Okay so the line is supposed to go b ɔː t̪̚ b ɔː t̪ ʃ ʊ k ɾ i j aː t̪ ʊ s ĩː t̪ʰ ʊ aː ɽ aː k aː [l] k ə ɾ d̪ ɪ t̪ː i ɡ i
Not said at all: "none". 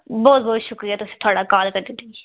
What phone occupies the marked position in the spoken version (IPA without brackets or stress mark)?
l